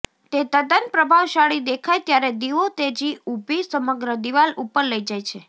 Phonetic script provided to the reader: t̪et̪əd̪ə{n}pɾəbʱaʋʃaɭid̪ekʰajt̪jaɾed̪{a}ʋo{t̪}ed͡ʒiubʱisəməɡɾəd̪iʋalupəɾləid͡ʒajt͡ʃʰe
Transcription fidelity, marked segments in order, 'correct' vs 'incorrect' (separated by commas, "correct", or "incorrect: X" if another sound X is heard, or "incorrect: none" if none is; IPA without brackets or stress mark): correct, incorrect: i, correct